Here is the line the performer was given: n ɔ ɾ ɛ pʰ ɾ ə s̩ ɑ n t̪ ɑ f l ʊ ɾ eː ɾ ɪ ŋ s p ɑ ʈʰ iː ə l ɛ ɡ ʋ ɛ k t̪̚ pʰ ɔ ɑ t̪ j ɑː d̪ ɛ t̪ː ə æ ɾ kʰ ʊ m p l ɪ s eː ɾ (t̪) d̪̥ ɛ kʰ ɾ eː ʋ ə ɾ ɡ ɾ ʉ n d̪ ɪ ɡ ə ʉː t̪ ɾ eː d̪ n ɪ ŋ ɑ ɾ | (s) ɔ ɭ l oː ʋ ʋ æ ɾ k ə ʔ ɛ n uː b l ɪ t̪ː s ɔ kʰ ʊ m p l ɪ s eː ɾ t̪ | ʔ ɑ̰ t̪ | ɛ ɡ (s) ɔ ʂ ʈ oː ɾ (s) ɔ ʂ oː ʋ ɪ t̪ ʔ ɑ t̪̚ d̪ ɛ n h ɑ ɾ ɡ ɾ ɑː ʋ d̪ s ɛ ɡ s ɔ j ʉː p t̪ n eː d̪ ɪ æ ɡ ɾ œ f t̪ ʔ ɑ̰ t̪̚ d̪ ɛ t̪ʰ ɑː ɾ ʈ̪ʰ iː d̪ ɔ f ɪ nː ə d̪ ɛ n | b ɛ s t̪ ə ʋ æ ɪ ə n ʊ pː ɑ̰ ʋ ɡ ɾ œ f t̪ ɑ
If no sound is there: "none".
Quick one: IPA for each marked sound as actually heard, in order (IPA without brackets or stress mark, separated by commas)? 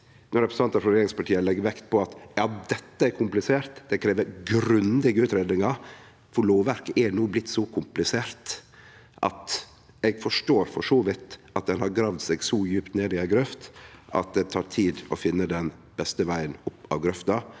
t̪, f, f, f